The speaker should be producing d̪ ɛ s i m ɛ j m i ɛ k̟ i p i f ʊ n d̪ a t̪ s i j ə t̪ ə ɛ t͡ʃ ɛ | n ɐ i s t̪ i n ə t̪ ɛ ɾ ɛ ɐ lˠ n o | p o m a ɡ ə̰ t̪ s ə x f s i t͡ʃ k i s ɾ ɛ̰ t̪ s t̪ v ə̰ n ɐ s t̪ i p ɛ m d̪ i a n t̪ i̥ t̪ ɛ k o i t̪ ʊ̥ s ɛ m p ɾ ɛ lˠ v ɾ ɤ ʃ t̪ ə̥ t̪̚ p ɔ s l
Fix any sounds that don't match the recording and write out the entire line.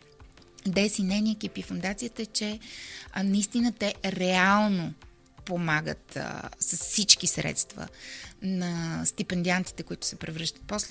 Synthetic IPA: d̪ ɛ s i n ɛ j n i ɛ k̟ i p i f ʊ n d̪ a t̪ s i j ə t̪ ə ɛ t͡ʃ ɛ | n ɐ i s t̪ i n ə t̪ ɛ ɾ ɛ a lˠ n o | p o m a ɡ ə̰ t̪ s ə s f s i t͡ʃ k i s ɾ ɛ̰ t̪ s t̪ v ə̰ n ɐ s t̪ i p ɛ n d̪ i a n t̪ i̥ t̪ ɛ k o i t̪ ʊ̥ s ɛ p ɾ ɛ v ɾ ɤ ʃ t̪ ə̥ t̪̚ p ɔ s l